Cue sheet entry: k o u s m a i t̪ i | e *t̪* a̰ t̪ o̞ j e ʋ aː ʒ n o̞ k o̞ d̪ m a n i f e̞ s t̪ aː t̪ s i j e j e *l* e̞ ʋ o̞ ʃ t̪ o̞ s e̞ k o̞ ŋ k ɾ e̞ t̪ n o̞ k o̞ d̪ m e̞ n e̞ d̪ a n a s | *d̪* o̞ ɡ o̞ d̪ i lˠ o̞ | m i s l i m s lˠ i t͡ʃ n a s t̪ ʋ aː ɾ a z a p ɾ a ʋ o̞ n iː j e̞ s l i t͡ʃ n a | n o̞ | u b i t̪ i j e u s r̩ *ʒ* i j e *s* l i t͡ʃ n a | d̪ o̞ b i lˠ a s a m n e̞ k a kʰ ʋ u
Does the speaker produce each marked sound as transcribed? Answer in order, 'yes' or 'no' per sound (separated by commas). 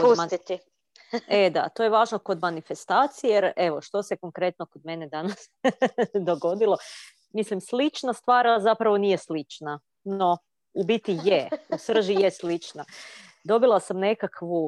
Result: no, no, yes, yes, yes